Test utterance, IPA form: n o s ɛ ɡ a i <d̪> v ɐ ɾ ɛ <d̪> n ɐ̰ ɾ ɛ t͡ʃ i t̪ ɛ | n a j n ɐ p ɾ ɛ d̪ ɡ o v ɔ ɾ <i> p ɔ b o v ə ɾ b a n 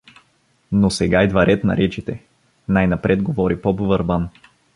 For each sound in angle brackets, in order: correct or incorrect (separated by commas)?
correct, incorrect, correct